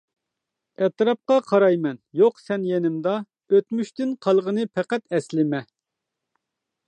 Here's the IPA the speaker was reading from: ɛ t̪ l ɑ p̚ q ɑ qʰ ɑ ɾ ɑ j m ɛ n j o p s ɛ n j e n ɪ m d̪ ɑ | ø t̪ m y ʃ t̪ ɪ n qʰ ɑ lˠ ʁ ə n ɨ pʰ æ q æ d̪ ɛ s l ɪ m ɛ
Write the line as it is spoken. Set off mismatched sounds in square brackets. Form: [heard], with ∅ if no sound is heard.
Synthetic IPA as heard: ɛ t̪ [ɾ] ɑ p̚ q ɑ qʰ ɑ ɾ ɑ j m ɛ n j o [q] s ɛ n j e n ɪ m d̪ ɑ | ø t̪ m y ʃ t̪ ɪ n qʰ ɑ lˠ ʁ ə n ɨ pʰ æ q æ [t̪] ɛ s l ɪ m ɛ